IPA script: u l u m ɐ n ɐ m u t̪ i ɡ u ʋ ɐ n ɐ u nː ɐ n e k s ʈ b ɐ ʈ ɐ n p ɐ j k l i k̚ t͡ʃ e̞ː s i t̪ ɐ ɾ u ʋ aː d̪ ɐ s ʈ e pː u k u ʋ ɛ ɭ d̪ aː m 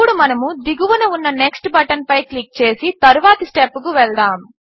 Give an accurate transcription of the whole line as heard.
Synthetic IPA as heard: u ɽ u m ɐ n ɐ m u d̪ i ɡ u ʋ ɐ n ɐ u nː ɐ n e k s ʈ b ɐ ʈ ɐ n p ɐ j k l i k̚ t͡ʃ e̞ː s i t̪ ɐ ɾ u ʋ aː t̪ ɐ s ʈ e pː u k u ʋ ɛ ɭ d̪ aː m

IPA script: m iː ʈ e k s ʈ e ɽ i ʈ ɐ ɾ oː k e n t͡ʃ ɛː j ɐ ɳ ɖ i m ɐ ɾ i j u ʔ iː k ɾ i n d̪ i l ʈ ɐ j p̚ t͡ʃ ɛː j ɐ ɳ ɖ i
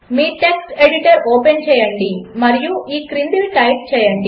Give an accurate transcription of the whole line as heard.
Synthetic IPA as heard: m iː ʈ e k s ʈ e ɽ i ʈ ɐ ɾ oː p e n t͡ʃ ɛː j ɐ ɳ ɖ i m ɐ ɾ i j u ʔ iː k ɾ i n d̪ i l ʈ ɐ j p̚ t͡ʃ ɛː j ɐ ɳ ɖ i

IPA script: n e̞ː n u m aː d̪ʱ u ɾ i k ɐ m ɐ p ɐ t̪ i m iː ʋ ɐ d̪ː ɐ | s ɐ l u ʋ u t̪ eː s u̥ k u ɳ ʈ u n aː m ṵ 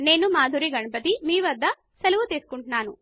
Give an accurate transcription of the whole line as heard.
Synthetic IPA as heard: n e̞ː n u m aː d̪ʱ u ɾ i ɡ ɐ ɳ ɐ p ɐ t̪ i m iː ʋ ɐ d̪ː ɐ | s ɐ l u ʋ u t̪ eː s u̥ k u ɳ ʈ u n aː n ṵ

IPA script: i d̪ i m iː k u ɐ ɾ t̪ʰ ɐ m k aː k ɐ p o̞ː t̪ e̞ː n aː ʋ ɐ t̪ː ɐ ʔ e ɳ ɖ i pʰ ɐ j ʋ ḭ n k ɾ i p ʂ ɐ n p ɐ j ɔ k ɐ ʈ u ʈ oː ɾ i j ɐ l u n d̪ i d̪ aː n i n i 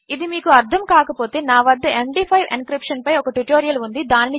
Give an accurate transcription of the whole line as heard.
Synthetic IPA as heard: i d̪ i m iː k u ɐ ɾ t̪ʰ ɐ m k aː k ɐ p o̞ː t̪ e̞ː n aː ʋ ɐ d̪ː ɐ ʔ e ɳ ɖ i pʰ ɐ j ʋ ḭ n k ɾ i p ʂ ɐ n p ɐ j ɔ k ɐ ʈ u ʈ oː ɾ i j ɐ l u n d̪ i d̪ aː n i n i

